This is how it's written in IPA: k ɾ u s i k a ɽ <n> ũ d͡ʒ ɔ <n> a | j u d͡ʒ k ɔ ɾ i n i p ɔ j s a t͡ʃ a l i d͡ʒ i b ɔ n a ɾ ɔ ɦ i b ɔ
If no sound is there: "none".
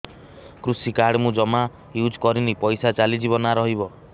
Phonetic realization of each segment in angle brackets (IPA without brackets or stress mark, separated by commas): m, m